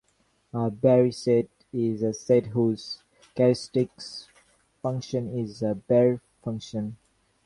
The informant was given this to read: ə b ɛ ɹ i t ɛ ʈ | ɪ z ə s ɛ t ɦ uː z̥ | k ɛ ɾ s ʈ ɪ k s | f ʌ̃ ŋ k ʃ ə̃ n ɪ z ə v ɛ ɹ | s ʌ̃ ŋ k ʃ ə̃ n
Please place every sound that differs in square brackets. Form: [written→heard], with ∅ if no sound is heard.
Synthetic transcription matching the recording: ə b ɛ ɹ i [t→s] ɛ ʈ | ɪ z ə s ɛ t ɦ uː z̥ | k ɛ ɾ s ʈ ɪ k s | f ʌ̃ ŋ k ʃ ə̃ n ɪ z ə [v→b] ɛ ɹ | [s→f] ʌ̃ ŋ k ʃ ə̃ n

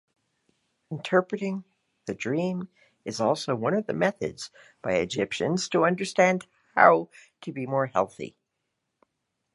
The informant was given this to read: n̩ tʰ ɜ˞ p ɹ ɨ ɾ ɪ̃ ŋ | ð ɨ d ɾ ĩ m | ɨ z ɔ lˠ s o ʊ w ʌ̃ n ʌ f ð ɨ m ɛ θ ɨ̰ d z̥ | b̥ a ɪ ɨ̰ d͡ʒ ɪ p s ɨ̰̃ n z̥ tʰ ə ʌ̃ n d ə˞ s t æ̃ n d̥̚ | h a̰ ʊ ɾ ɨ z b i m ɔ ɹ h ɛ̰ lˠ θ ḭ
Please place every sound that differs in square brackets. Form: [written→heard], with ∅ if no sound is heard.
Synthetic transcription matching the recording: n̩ tʰ ɜ˞ p ɹ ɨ ɾ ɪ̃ ŋ | ð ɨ d [ɾ→ɹ] ĩ m | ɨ z ɔ lˠ s o ʊ w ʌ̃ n ʌ [f→v] ð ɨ m ɛ θ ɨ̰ d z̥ | b̥ a ɪ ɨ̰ d͡ʒ ɪ p [s→ʃ] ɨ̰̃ n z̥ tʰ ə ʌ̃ n d ə˞ s t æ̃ n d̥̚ | h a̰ ʊ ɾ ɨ [z→∅] b i m ɔ ɹ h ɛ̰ lˠ θ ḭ

